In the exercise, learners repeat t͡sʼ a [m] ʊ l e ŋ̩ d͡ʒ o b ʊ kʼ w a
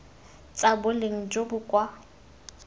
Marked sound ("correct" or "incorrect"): incorrect